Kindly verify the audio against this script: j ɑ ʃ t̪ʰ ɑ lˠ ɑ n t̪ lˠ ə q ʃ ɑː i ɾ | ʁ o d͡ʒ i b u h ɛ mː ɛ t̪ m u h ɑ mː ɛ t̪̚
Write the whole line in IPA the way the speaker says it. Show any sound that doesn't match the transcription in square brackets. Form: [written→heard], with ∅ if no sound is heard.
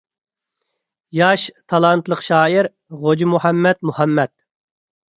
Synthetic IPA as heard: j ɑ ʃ t̪ʰ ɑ lˠ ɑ n t̪ lˠ ə q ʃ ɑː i ɾ | ʁ o d͡ʒ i [b→m] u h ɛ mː ɛ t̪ m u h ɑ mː ɛ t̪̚